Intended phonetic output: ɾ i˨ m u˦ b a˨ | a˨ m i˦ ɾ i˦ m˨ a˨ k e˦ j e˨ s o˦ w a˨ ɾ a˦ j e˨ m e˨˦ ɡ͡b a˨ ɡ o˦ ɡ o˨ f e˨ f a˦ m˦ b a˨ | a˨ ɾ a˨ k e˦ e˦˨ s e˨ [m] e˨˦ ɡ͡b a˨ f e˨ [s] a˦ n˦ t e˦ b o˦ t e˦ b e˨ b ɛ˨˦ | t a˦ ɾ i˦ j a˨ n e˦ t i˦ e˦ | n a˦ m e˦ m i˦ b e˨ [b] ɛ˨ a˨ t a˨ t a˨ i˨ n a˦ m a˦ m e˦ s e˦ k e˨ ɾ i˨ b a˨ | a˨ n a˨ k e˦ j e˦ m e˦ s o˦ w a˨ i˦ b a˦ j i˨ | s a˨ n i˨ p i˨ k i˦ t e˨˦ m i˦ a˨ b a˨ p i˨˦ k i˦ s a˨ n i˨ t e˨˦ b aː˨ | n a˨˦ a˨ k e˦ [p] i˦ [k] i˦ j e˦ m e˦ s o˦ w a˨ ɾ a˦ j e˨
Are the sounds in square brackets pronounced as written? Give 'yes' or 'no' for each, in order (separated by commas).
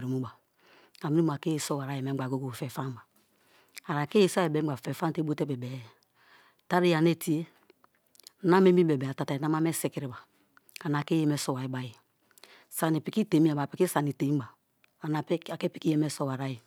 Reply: no, no, yes, yes, yes